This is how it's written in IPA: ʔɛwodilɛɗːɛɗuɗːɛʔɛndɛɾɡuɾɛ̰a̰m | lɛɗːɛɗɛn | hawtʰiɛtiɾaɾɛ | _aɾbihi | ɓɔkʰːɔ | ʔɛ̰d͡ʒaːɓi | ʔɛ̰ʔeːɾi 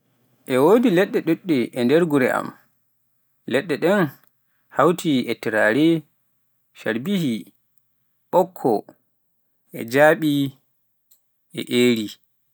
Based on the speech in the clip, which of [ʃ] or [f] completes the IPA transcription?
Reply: ʃ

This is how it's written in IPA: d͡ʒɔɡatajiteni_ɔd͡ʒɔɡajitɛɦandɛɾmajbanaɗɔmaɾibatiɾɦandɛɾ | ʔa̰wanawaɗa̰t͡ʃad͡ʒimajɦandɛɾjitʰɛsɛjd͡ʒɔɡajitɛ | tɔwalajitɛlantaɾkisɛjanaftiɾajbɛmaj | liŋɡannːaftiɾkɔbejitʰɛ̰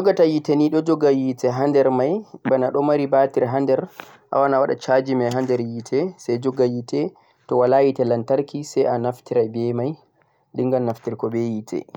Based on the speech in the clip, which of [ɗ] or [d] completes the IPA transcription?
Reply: ɗ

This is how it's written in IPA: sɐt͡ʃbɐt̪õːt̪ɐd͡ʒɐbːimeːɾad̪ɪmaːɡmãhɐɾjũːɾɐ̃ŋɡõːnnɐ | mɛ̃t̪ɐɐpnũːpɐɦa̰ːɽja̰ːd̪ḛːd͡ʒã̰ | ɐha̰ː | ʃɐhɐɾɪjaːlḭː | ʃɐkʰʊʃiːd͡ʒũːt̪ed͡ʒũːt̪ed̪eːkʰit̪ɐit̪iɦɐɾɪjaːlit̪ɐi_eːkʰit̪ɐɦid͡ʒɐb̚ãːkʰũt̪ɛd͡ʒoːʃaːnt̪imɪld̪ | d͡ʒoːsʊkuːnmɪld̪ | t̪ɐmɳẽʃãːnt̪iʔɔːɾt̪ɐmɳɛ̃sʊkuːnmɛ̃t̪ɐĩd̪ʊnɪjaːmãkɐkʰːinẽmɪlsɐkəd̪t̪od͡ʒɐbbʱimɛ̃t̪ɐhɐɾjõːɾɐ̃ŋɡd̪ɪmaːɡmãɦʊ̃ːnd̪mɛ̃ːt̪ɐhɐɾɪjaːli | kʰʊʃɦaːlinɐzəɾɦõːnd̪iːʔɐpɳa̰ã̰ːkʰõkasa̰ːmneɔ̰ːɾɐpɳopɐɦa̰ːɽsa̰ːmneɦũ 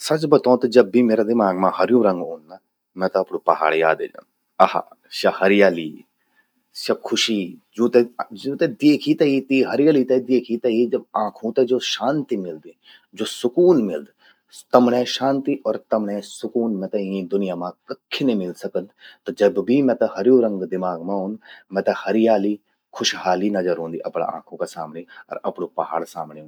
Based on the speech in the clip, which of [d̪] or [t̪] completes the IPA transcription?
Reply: d̪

